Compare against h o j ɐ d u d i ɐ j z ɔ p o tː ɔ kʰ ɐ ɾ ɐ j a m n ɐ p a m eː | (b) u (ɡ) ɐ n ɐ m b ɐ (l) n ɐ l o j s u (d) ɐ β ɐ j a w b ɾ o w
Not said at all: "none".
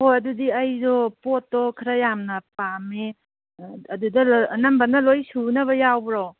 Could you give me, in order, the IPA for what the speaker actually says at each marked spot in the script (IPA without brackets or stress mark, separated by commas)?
d, d, none, n